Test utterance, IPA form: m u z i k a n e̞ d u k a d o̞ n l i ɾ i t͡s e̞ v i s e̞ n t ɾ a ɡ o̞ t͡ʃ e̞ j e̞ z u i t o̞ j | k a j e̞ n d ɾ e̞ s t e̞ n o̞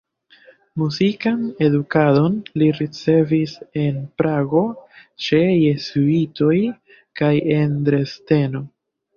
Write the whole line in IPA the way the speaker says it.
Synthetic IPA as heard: m u z i k a n e̞ d u k a d o̞ n l i ɾ i t͡s e̞ v i s e̞ n p ɾ a ɡ o̞ t͡ʃ e̞ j e̞ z u i t o̞ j | k a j e̞ n d ɾ e̞ s t e̞ n o̞